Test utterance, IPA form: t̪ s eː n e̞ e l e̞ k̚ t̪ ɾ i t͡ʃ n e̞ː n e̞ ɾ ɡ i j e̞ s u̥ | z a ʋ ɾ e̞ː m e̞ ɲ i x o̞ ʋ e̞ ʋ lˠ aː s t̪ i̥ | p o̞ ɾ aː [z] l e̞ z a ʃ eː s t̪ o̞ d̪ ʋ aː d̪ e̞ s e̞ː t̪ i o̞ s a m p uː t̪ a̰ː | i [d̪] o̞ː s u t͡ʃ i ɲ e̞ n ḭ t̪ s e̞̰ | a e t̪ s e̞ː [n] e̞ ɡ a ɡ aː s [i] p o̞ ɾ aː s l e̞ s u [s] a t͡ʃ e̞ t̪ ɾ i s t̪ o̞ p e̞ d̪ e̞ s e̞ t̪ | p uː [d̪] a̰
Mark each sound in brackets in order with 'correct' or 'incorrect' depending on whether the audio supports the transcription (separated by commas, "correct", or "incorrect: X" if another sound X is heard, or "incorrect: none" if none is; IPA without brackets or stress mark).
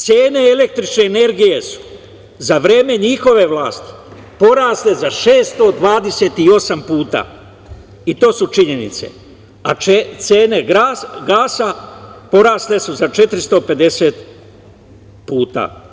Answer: incorrect: s, incorrect: t̪, correct, incorrect: a, incorrect: z, incorrect: t̪